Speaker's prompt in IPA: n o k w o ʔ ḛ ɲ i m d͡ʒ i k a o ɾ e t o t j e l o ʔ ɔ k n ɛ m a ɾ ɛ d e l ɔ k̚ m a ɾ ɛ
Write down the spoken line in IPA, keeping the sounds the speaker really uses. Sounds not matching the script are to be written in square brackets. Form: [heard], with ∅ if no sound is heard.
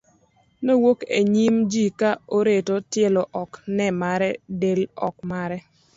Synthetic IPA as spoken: n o [∅] w o [k] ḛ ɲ i m d͡ʒ i k a o ɾ e t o t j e l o ʔ ɔ k n ɛ m a ɾ ɛ d e l ɔ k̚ m a ɾ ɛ